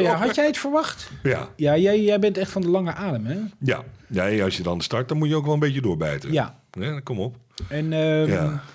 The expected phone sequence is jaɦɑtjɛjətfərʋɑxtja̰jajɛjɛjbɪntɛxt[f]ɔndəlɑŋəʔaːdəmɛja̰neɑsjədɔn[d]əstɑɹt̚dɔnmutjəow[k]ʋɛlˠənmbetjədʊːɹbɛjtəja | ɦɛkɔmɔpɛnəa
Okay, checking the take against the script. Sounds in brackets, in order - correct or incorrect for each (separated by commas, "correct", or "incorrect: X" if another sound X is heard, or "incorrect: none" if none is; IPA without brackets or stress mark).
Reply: correct, correct, correct